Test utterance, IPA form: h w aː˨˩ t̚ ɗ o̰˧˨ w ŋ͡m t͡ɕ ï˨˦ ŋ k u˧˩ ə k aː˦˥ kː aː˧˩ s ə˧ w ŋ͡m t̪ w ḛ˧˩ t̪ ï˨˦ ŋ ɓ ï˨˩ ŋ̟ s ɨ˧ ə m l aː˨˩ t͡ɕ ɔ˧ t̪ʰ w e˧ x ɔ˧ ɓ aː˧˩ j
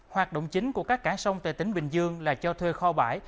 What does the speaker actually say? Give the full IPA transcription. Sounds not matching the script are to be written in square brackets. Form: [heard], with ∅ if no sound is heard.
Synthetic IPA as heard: h w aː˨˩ t̚ ɗ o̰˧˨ w ŋ͡m t͡ɕ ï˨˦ ŋ k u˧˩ ə k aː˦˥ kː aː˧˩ s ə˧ w ŋ͡m t̪ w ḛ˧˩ t̪ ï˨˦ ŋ ɓ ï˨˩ ŋ̟ [z] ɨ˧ ə [ŋ] l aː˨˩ t͡ɕ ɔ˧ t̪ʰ w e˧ x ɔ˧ ɓ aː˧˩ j